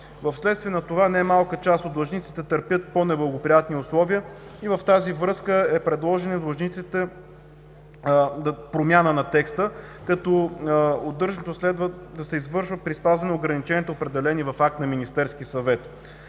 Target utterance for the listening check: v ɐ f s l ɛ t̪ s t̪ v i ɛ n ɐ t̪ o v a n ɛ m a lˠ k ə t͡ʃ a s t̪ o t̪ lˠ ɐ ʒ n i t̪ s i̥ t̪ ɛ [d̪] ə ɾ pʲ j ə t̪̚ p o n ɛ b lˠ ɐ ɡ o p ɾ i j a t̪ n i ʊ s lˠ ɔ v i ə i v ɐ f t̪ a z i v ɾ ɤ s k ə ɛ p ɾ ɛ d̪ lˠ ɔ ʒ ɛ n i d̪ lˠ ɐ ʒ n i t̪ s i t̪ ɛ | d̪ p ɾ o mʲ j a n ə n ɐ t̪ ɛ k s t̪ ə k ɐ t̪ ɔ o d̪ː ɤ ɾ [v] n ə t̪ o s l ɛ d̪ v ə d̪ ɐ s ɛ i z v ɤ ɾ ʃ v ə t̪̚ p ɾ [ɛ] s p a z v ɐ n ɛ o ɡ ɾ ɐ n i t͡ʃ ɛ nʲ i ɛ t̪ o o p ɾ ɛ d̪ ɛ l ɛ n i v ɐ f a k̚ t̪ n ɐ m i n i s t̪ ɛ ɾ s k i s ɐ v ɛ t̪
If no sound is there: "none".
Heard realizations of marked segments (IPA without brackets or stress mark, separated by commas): t̪, ʒ, i